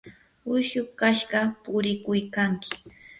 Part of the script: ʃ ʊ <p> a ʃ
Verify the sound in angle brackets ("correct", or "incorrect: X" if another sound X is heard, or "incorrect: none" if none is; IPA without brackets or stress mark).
incorrect: k